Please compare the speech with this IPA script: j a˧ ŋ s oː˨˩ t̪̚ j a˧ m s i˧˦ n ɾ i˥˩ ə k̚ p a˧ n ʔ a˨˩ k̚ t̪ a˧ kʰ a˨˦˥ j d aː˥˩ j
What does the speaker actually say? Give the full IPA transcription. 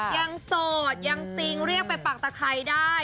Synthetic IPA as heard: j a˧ ŋ s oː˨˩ t̪̚ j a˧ ŋ s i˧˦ ŋ ɾ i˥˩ ə k̚ p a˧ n p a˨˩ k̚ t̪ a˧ kʰ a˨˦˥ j d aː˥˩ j

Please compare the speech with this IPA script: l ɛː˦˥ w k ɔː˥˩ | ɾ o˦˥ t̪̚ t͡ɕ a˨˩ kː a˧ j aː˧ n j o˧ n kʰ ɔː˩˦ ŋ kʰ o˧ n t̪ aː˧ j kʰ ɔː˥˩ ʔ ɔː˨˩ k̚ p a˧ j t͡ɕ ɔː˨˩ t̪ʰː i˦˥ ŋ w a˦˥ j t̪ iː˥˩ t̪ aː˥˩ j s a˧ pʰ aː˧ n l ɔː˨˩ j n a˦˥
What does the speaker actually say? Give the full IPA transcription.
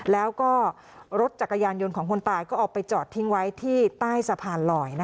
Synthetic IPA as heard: l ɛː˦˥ w k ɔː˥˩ | ɾ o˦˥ t̪̚ t͡ɕ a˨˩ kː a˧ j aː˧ n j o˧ n kʰ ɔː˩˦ ŋ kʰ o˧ n t̪ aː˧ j k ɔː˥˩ ʔ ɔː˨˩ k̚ p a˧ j t͡ɕ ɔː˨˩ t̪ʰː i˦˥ ŋ w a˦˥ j t̪ʰ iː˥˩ t̪ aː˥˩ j s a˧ pʰ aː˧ n l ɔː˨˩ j n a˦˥

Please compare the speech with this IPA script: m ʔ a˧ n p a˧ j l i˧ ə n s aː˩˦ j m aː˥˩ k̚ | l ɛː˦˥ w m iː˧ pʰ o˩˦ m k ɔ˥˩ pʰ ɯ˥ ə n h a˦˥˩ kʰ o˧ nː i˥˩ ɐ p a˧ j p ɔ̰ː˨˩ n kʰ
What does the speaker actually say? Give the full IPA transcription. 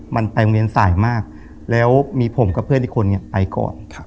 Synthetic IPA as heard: m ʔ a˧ n p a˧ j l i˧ ə n s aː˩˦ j m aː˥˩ k̚ | l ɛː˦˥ w m iː˧ pʰ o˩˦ m k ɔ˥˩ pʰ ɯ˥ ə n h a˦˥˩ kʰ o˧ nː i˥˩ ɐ p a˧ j k ɔ̰ː˨˩ n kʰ

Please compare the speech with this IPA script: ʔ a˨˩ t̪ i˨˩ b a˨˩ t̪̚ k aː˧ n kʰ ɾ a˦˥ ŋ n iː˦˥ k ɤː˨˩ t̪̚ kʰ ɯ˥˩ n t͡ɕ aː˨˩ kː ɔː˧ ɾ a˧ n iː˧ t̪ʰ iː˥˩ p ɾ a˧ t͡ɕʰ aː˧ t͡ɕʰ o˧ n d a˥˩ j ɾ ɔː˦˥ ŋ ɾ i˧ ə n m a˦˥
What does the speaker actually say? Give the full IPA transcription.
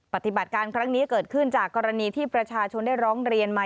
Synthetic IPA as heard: p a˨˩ t̪ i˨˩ b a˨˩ t̪̚ k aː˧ n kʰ ɾ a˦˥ ŋ n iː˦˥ k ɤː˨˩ t̪̚ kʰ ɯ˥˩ n t͡ɕ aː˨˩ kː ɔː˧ ɾ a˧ n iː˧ t̪ʰ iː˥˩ p ɾ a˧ t͡ɕʰ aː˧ t͡ɕʰ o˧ n d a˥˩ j ɾ ɔː˦˥ ŋ ɾ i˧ ə n m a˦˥

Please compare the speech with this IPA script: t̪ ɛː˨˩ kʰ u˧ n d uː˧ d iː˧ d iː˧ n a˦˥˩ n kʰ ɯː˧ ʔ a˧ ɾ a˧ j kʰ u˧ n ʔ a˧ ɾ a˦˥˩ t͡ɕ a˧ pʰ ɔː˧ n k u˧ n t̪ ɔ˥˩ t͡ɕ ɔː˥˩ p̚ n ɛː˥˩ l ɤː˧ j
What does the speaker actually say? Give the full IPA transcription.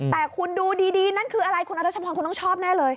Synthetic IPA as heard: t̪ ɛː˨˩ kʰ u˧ n d uː˧ d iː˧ d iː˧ n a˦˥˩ n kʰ ɯː˧ ʔ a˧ ɾ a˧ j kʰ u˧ n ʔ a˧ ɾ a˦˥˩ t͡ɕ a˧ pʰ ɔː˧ n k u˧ n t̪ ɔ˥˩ t͡ɕʰ ɔː˥˩ p̚ n ɛː˥˩ l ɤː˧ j

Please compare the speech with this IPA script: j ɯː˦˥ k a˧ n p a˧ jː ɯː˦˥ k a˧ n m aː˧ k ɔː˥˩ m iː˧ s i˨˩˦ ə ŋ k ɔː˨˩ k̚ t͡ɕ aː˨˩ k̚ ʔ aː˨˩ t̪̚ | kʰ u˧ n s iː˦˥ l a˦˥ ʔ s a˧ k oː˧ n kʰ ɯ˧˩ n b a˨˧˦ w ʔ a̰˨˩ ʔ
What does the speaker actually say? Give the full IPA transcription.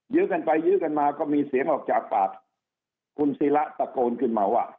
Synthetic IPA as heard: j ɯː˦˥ k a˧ n p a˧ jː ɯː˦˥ k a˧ n m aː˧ k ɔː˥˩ m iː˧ s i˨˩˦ ə ŋ ʔ ɔː˨˩ k̚ t͡ɕ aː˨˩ k̚ p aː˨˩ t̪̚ | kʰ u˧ n s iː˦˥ l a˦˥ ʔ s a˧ k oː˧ n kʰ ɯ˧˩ n m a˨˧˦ w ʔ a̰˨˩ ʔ

